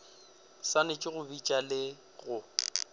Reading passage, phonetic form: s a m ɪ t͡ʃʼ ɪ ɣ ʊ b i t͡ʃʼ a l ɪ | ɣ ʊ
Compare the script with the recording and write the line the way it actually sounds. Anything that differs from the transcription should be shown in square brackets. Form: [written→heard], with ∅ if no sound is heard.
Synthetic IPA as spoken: s a [m→n] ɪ t͡ʃʼ ɪ ɣ ʊ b i t͡ʃʼ a l ɪ | ɣ ʊ